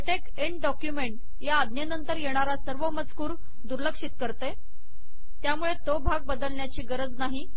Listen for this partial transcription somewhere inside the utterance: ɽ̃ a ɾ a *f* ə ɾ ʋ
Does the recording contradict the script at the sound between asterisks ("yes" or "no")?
yes